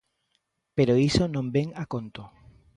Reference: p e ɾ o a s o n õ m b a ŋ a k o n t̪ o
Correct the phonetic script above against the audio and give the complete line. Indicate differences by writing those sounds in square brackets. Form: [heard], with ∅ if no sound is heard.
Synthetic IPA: p e ɾ o [i] s o n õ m b [e] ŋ a k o n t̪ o